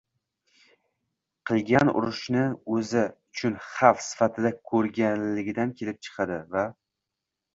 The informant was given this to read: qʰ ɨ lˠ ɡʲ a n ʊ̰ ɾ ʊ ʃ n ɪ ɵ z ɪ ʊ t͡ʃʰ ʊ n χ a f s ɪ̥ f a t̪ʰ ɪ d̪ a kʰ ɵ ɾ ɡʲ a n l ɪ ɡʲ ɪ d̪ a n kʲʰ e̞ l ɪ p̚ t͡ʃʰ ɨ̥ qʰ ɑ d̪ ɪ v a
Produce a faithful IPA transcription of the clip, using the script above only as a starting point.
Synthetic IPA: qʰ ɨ lˠ ɡʲ a n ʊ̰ ɾ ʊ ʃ n ɪ ɵ z ɪ ʊ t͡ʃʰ ʊ n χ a f s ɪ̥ f a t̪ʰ ɪ d̪ a kʰ ɵ ɾ ɡʲ a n l ɪ ɡʲ ɪ d̪ a n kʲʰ e̞ l ɪ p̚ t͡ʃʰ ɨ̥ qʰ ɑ d̪ ɪ v a